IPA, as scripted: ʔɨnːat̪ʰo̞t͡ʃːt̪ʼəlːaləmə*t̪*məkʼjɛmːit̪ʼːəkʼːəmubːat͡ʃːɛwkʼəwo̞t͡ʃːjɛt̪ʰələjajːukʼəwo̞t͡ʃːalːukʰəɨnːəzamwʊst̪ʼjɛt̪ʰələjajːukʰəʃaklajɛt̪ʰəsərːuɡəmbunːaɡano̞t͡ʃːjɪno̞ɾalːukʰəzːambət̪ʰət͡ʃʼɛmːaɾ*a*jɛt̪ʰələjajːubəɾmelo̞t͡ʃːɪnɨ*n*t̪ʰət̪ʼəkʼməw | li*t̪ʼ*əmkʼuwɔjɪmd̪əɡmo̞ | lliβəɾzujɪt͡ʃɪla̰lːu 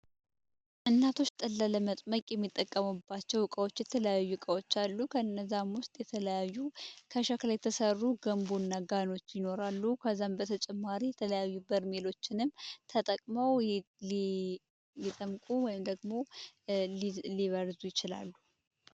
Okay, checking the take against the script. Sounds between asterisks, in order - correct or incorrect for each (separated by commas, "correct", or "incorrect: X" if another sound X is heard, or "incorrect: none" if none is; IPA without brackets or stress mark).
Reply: incorrect: t̪ʼ, incorrect: i, incorrect: m, correct